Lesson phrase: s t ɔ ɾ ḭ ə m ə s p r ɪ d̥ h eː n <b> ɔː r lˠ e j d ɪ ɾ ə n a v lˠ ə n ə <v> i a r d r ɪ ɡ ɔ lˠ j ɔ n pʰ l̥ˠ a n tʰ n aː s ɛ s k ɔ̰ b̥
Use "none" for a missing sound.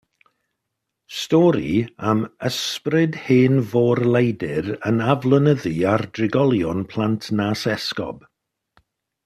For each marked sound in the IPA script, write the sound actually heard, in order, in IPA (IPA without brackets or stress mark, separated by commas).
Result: v, ð